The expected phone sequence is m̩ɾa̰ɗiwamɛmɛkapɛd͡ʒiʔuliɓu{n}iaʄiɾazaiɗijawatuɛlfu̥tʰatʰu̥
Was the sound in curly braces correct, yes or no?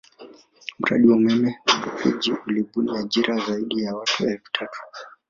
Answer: yes